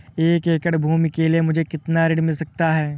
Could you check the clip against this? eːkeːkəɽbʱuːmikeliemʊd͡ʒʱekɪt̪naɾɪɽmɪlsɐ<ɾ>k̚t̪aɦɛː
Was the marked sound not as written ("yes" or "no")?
yes